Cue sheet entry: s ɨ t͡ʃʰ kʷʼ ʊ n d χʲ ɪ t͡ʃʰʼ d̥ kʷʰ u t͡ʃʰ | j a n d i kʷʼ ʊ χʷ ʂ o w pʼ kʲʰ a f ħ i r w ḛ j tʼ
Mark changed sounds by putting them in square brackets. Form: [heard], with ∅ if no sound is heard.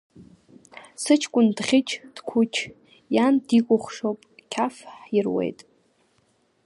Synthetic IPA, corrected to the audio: s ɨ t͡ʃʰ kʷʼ ʊ n d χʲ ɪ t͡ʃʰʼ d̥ kʷʰ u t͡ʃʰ | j a n d i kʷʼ ʊ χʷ ʂ o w pʼ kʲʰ a f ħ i r w ḛ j tʼ